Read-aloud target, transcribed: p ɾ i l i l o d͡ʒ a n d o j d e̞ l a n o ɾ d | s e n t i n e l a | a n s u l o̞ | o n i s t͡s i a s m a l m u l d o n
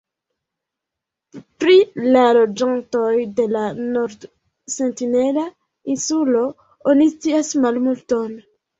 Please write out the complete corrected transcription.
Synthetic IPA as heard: p ɾ i l a l o d͡ʒ a n t o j d e̞ l a n o ɾ d | s e n t i n e l a | i n s u l o̞ | o n i s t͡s i a s m a l m u l t o n